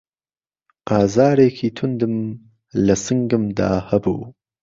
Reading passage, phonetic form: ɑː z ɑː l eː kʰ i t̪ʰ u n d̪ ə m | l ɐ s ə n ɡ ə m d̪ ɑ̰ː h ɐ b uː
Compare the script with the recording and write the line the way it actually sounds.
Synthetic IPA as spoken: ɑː z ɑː ɾ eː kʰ i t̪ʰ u n d̪ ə m | l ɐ s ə ŋ ɡ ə m d̪ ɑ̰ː h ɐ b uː

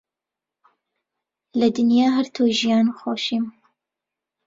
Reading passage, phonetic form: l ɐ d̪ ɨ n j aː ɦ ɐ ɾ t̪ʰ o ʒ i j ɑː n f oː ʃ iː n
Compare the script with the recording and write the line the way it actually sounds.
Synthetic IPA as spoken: l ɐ d̪ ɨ n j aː ɦ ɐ ɾ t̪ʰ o ʒ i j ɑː n x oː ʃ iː m

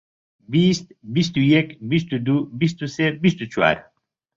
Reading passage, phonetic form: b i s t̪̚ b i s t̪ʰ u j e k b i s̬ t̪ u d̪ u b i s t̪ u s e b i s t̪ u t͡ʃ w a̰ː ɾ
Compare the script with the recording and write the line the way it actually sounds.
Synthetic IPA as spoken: b i s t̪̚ b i s t̪ u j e k b i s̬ t̪ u d̪ u b i s t̪ u s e b i s t̪ u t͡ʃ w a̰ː ɾ

